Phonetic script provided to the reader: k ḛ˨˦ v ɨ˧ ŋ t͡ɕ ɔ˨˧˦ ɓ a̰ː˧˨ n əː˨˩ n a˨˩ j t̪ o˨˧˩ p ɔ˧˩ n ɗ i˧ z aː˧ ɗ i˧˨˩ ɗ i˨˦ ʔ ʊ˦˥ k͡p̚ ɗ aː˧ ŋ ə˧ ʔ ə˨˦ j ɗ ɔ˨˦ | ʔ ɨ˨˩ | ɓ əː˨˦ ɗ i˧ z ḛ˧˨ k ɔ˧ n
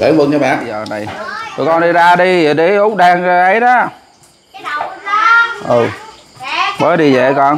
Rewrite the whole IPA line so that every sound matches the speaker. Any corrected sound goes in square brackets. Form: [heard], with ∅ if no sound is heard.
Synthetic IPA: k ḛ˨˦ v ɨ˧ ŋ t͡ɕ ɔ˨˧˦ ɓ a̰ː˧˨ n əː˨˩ n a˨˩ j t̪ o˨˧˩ [k] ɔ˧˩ n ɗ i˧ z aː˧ ɗ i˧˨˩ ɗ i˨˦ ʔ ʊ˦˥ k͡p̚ ɗ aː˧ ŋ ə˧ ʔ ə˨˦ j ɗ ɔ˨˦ | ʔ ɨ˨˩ | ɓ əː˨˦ ɗ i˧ z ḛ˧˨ k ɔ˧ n